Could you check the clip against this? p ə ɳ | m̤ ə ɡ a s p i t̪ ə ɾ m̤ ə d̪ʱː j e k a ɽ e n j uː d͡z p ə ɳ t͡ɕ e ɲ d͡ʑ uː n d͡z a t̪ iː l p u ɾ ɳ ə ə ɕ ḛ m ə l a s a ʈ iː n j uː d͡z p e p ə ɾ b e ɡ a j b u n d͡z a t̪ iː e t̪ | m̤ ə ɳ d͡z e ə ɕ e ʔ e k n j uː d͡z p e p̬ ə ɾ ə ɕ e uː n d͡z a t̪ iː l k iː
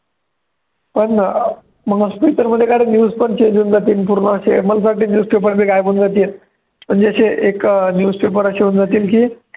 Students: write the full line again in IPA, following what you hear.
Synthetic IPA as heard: p ə ɳ | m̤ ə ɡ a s p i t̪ ə ɾ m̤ ə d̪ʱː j e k a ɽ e n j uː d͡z p ə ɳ t͡ɕ e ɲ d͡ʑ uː n d͡z a t̪ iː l p u ɾ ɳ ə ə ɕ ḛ m ə l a s a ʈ iː n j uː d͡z p e p ə ɾ b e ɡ a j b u n d͡z a t̪ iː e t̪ | m̤ ə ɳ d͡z e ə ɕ e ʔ e k n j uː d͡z p e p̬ ə ɾ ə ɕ e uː n d͡z a t̪ iː l k iː